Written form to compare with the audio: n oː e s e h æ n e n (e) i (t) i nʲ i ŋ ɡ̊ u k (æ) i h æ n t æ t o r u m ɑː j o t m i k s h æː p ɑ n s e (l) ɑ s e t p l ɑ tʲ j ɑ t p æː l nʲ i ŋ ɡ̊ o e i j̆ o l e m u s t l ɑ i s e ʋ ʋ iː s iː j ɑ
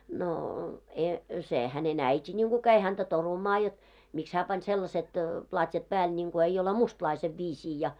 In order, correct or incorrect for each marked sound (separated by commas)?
incorrect, correct, correct, incorrect